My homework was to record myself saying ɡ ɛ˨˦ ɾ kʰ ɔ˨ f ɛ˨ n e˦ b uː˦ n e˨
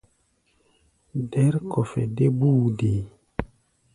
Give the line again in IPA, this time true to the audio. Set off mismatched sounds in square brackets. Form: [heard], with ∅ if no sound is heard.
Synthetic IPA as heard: [d] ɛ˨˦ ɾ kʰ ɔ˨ f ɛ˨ [d] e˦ b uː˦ [d] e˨